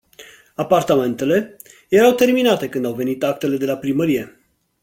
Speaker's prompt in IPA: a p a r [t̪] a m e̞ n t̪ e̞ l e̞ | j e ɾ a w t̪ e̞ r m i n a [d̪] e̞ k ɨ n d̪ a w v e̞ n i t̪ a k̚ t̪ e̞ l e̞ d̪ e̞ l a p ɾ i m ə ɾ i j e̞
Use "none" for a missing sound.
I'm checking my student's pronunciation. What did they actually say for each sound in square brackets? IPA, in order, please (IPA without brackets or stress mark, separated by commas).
t̪, t̪